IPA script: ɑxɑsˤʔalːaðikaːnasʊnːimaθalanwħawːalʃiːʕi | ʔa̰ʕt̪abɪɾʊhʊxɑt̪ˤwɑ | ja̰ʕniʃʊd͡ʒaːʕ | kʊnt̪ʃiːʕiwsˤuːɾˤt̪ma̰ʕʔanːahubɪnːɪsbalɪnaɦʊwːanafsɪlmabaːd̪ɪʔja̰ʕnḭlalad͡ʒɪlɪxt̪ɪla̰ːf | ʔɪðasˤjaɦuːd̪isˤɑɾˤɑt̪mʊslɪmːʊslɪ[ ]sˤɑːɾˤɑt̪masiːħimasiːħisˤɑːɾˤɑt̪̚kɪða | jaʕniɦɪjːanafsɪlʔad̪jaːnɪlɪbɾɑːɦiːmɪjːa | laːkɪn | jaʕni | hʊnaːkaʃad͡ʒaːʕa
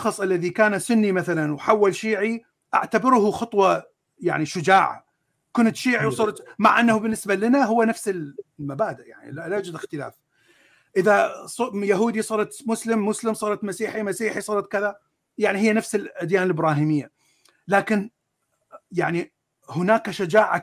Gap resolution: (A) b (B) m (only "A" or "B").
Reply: B